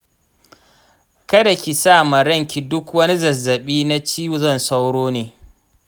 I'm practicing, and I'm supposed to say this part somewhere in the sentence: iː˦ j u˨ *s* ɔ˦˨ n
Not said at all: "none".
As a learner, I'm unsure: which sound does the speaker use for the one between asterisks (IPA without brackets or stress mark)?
z